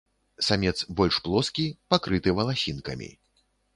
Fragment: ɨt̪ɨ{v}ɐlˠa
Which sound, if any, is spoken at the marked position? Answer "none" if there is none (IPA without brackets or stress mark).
v